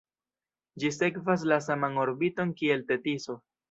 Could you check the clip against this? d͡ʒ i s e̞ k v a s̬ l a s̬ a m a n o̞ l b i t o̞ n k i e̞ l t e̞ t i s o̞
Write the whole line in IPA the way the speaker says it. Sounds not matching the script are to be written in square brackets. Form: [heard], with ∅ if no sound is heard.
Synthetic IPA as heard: d͡ʒ i s e̞ k v a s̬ l a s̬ a m a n o̞ [ɾ] b i t o̞ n k i e̞ l t e̞ t i s o̞